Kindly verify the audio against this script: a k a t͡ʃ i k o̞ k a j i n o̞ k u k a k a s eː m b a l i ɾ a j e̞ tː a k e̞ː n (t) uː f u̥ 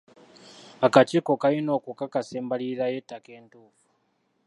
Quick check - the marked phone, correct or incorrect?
correct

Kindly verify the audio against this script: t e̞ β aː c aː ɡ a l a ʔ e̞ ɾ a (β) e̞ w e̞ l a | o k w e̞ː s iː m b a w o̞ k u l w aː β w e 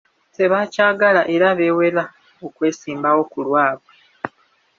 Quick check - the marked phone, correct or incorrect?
correct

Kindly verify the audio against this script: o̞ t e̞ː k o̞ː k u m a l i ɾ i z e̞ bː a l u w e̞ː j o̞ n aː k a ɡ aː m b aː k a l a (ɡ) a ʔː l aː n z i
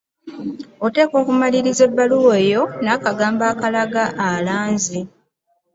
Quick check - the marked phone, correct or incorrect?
correct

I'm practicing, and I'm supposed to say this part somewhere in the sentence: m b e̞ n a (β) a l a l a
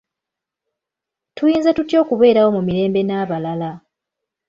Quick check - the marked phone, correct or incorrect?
correct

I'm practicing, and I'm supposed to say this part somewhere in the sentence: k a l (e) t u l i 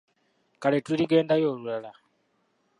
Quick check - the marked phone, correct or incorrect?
correct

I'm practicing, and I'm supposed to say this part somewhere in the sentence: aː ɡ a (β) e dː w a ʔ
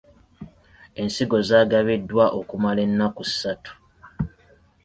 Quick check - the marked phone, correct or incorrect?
correct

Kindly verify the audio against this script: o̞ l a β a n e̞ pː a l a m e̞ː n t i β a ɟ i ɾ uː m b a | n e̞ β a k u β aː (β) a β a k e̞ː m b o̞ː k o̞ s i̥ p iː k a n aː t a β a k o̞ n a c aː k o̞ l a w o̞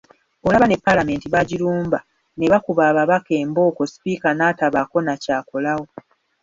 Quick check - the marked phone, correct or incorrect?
correct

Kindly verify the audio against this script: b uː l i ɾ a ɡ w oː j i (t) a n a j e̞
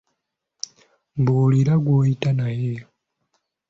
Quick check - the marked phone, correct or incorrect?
correct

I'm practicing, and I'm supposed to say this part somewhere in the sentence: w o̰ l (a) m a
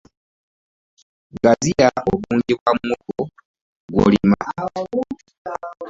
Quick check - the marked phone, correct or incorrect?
incorrect: i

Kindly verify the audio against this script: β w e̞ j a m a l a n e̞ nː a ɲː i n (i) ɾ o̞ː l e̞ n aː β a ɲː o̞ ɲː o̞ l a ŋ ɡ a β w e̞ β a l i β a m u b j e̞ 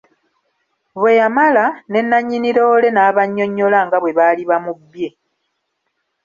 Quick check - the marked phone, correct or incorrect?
correct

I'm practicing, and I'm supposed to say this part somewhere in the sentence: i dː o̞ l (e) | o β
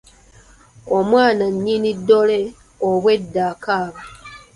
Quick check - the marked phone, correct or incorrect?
correct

